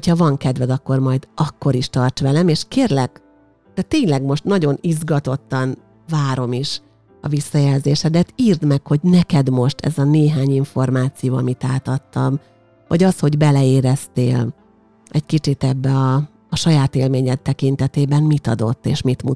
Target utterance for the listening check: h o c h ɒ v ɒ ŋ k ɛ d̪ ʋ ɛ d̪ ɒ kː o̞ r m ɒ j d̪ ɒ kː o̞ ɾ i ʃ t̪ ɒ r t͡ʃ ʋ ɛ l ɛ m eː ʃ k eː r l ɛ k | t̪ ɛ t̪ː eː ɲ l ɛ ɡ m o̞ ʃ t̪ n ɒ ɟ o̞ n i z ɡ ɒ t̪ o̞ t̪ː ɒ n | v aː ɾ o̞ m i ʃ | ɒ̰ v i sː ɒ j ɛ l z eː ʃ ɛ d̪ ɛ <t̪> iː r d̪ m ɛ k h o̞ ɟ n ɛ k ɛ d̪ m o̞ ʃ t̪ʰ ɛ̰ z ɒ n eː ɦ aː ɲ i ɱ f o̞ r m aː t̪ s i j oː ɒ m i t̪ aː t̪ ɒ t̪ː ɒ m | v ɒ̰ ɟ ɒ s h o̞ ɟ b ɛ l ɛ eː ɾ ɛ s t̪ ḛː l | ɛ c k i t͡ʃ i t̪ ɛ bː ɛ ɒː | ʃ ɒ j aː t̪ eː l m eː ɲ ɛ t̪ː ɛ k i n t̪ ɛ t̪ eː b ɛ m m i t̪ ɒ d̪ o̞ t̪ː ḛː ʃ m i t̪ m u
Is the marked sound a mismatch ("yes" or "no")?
no